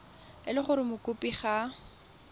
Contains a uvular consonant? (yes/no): yes